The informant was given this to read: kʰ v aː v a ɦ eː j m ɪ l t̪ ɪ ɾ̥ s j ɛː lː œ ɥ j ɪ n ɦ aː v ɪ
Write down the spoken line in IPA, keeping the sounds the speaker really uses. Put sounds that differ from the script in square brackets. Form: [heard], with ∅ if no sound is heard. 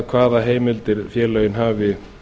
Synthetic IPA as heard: kʰ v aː [ð] a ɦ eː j m ɪ l t̪ ɪ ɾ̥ [f] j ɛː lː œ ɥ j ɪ n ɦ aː v ɪ